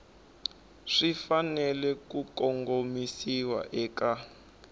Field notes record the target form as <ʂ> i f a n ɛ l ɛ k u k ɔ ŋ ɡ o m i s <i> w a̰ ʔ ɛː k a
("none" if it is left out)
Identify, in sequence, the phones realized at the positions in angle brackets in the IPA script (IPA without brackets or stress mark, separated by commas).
ʂ, i